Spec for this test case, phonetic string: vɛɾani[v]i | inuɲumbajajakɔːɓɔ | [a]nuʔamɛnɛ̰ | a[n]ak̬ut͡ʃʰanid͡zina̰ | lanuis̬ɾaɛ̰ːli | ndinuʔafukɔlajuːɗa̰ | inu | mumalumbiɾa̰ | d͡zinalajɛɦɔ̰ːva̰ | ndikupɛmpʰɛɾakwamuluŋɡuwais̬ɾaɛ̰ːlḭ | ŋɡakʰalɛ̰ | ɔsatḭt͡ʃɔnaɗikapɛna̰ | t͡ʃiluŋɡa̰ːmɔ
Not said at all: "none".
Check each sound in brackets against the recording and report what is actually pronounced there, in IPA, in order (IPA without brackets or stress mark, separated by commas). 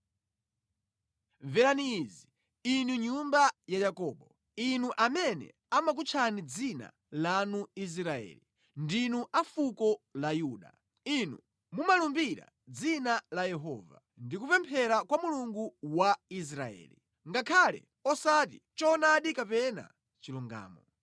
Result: z, i, m